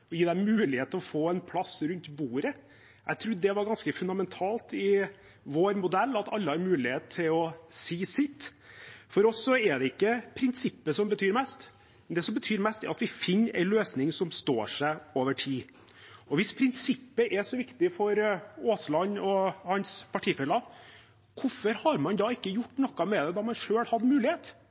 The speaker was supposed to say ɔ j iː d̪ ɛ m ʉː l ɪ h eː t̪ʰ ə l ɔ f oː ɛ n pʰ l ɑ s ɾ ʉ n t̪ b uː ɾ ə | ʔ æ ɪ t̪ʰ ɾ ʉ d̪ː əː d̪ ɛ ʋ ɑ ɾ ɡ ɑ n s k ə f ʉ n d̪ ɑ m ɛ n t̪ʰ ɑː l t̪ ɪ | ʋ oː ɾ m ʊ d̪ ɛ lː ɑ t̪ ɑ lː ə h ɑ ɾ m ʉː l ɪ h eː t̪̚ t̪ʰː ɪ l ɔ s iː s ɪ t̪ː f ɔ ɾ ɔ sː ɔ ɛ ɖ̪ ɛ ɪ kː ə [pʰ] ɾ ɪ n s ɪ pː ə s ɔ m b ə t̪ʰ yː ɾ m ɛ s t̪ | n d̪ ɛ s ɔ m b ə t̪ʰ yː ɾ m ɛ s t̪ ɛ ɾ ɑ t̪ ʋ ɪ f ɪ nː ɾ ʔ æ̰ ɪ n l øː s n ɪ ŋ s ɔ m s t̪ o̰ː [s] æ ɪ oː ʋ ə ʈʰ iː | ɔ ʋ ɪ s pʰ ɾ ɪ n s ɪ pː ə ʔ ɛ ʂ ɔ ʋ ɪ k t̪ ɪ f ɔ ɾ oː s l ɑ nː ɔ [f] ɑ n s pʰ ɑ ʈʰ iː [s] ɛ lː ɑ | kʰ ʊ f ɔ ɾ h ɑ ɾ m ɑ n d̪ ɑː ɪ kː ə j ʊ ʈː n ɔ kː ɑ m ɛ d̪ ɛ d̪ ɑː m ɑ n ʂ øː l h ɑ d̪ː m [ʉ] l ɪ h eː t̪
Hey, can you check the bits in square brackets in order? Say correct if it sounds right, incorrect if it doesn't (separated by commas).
correct, incorrect, incorrect, incorrect, incorrect